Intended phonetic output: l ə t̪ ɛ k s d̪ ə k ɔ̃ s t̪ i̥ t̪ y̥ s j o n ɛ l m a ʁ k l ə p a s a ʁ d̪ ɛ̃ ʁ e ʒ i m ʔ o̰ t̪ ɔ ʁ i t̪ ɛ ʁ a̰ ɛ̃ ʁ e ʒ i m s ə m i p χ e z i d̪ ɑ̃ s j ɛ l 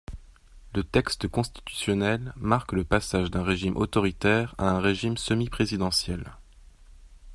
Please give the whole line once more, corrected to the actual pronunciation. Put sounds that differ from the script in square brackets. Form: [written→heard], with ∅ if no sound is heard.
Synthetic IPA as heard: l ə t̪ ɛ k s [d̪→t̪] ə k ɔ̃ s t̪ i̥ t̪ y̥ s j [o→ɔ] n ɛ l m a ʁ k l ə p a s a [ʁ→ʒ] d̪ ɛ̃ ʁ e ʒ i m ʔ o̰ t̪ ɔ ʁ i t̪ ɛ ʁ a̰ ɛ̃ ʁ e ʒ i m s ə m i p χ e z i d̪ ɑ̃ s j ɛ l